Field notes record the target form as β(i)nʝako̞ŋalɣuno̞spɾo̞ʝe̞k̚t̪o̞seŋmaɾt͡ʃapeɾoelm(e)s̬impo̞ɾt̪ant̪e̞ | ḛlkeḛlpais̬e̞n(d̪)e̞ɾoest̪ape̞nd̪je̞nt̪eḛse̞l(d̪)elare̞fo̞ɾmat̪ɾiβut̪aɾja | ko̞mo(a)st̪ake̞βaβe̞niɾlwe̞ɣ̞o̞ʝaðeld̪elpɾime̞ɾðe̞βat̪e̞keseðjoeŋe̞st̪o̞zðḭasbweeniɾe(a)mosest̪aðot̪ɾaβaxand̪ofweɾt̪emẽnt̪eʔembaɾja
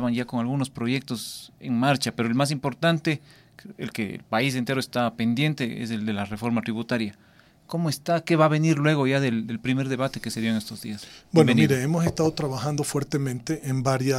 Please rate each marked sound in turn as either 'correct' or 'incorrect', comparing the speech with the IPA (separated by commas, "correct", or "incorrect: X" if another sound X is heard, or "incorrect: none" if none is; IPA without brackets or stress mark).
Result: incorrect: a, incorrect: a, incorrect: t̪, correct, incorrect: e, incorrect: e